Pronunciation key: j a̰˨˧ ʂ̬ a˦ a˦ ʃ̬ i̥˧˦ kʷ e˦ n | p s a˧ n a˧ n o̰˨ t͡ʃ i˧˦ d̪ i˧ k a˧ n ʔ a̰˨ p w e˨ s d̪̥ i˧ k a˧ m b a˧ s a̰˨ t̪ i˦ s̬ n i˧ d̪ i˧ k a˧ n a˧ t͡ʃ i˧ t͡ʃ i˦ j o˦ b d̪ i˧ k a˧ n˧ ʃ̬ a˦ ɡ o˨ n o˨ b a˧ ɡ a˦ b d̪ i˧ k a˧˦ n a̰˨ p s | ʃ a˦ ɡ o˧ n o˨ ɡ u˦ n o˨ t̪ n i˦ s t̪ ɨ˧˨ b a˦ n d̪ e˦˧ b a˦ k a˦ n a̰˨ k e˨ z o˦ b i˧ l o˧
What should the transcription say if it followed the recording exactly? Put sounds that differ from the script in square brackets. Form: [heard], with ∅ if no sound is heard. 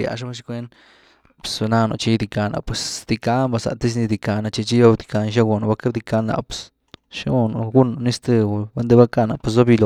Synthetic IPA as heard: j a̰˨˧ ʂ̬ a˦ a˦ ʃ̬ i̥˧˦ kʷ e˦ n | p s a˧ n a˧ n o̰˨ t͡ʃ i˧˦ d̪ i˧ k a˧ n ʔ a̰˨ p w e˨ s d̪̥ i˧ k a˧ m b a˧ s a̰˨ t̪ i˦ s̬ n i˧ d̪ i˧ k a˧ n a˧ t͡ʃ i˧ t͡ʃ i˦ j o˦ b d̪ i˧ k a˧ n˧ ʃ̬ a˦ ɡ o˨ n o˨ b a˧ [k] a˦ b d̪ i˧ k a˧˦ n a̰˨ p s | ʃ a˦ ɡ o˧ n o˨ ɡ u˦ n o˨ [∅] n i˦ s t̪ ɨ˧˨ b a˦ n d̪ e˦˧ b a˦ k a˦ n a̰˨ [p] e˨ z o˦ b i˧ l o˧